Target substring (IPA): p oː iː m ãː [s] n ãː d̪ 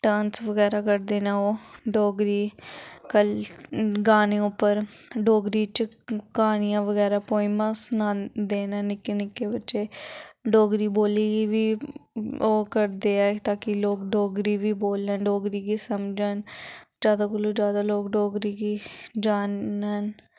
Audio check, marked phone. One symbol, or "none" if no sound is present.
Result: s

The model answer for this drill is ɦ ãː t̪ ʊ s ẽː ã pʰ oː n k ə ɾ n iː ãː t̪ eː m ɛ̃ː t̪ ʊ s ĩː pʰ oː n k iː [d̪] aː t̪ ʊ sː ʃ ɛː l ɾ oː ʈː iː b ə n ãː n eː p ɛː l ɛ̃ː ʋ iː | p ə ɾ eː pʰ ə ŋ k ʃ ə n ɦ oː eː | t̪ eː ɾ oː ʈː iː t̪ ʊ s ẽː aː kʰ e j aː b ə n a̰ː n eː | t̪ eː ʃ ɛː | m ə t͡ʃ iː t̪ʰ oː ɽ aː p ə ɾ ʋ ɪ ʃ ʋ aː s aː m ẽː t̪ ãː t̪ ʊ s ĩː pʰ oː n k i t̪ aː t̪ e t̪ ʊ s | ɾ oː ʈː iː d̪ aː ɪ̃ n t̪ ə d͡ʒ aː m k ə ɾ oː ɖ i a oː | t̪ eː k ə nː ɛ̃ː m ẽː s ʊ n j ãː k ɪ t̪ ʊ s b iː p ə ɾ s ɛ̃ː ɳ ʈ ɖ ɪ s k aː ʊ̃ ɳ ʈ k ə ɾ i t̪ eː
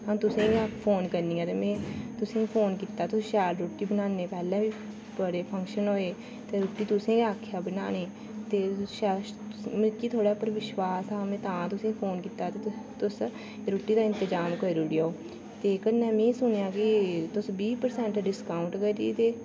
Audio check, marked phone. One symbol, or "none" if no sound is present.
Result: t̪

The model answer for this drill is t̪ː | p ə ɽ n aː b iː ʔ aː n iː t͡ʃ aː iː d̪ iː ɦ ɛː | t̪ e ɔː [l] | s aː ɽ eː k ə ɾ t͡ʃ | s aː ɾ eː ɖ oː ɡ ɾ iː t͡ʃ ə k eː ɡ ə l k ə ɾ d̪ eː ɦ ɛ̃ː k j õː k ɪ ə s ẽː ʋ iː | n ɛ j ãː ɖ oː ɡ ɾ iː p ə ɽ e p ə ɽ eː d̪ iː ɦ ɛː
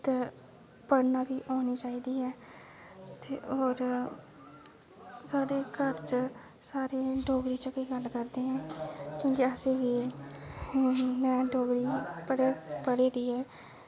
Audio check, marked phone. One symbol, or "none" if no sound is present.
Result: ɾ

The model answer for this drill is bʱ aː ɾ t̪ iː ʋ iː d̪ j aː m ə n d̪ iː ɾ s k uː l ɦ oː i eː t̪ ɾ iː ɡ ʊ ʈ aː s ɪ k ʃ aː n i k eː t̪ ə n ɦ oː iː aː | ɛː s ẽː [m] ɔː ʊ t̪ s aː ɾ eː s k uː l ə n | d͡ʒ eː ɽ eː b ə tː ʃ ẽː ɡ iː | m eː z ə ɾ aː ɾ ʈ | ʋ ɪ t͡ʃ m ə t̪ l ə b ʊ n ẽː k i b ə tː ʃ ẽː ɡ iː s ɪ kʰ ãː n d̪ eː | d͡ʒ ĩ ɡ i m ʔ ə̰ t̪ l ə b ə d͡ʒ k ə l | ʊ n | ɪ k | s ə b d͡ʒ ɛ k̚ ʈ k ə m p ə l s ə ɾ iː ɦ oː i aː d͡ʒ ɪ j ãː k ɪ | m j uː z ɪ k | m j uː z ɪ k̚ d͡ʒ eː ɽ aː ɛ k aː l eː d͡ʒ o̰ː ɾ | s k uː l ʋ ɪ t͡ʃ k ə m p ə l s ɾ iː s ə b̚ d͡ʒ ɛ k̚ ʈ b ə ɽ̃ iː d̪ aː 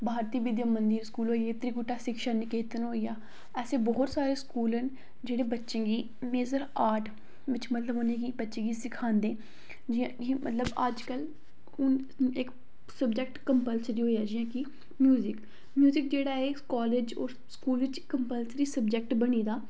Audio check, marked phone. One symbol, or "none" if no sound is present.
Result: b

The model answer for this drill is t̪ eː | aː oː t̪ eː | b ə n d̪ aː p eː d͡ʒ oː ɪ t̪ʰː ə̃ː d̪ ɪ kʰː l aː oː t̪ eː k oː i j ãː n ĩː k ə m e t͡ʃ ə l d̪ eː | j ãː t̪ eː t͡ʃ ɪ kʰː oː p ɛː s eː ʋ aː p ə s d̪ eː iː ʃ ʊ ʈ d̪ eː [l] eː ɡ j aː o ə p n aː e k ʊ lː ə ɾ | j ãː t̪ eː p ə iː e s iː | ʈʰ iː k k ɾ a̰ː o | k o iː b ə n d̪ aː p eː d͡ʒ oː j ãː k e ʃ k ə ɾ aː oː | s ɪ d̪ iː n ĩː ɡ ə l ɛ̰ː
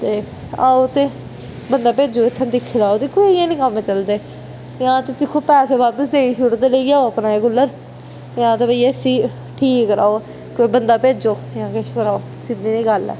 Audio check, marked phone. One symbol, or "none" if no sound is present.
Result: l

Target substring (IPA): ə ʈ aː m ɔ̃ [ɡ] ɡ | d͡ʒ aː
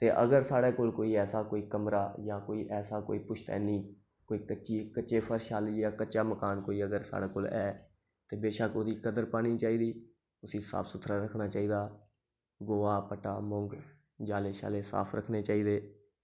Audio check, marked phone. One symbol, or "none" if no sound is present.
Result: ŋ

